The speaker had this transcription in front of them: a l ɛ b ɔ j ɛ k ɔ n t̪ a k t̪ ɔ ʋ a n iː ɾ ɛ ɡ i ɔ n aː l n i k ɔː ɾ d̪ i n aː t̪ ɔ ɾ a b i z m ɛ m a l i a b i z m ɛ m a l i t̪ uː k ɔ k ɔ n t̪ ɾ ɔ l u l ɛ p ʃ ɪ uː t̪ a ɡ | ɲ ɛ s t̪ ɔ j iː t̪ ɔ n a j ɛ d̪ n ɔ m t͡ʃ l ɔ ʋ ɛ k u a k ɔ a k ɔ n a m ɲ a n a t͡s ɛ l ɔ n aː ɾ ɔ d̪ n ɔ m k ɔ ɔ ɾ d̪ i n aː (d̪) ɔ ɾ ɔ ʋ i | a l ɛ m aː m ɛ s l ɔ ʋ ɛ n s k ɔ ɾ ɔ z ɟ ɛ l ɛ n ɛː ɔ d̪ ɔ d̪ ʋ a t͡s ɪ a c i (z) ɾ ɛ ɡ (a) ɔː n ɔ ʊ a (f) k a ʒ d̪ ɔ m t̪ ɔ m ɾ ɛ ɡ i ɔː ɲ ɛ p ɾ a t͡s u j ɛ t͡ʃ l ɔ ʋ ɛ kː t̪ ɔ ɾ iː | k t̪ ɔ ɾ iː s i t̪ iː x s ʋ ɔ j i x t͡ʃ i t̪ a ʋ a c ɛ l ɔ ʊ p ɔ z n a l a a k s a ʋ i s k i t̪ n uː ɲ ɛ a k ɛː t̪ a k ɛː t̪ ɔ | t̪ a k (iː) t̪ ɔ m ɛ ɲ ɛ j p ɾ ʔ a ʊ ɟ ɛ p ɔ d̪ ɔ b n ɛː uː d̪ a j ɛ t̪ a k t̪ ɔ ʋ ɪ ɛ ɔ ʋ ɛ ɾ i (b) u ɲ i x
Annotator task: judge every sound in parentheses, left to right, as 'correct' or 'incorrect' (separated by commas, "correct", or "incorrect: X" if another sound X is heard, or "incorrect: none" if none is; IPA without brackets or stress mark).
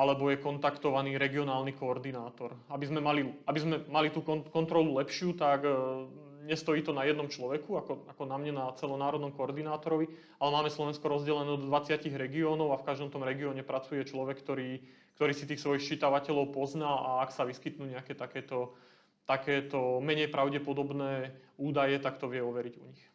incorrect: t̪, incorrect: ɣ, incorrect: i, correct, incorrect: ɛː, incorrect: ɟ